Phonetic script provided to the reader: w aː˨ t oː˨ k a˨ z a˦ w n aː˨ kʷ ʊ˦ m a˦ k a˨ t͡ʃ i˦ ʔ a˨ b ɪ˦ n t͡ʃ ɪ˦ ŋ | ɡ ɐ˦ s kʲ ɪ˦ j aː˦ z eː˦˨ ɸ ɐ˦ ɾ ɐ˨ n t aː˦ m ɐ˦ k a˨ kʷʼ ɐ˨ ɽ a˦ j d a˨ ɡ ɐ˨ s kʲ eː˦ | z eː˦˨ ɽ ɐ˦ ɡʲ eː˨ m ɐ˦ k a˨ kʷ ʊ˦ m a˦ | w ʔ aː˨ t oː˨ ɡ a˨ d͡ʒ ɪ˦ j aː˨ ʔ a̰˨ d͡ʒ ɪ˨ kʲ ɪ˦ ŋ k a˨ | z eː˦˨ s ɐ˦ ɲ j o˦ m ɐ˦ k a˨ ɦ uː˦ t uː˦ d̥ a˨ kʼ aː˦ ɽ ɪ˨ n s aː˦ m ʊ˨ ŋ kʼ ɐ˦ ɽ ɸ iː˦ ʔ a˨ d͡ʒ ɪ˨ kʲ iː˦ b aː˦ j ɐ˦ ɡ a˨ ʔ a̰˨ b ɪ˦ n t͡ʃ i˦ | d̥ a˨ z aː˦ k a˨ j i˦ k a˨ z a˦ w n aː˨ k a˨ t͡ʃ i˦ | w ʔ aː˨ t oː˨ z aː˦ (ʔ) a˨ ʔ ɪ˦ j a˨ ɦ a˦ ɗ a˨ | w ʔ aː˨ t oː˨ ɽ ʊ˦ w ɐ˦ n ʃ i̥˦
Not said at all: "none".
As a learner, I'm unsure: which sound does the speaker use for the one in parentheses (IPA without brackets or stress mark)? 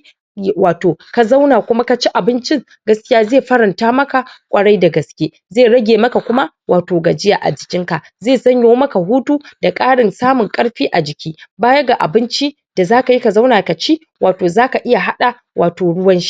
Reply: k